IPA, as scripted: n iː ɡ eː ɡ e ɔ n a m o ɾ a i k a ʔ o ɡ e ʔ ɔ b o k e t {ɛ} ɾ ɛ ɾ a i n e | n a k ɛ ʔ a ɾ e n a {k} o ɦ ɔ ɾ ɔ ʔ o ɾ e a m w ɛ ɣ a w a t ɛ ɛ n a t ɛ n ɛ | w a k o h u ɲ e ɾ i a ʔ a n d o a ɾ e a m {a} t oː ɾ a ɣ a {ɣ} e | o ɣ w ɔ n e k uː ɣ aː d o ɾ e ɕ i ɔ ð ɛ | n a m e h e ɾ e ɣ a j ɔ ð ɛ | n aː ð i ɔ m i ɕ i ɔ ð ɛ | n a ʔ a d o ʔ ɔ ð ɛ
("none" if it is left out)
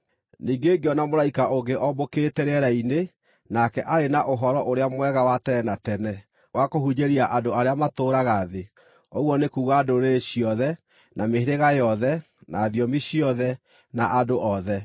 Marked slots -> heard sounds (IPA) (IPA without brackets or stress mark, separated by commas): ɛ, ʔ, a, ð